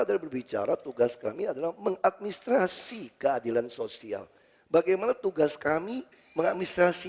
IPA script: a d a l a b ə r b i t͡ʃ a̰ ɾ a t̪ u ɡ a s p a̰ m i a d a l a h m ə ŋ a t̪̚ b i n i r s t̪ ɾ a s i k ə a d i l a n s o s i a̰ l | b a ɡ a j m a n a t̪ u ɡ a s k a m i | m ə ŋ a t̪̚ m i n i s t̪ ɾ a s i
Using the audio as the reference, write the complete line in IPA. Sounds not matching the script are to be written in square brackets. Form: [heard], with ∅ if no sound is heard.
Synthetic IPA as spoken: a d a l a b ə r b i t͡ʃ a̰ ɾ a t̪ u ɡ a s [k] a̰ m i a d a l a h m ə ŋ a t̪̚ [m] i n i [∅] s t̪ ɾ a s i k ə a d i l a n s o s i a̰ l | b a ɡ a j m a n a t̪ u ɡ a s k a m i | m ə ŋ a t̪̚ m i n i s t̪ ɾ a s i